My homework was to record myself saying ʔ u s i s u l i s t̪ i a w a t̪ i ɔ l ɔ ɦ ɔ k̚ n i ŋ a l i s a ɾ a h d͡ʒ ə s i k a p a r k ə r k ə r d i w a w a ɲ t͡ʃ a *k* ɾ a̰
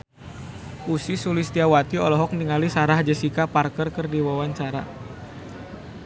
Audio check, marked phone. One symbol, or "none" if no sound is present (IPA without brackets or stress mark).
none